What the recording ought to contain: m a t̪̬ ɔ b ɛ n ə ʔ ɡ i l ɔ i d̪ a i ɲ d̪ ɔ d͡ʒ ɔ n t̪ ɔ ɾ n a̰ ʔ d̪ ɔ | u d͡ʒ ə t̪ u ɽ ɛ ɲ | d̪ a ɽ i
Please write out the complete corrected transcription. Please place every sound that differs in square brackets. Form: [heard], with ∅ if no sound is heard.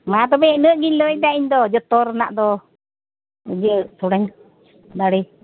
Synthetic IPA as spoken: m a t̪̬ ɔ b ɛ n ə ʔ ɡ i l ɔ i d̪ a i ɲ d̪ ɔ d͡ʒ ɔ [∅] t̪ ɔ ɾ n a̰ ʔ d̪ ɔ | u d͡ʒ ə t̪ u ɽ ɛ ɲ | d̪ a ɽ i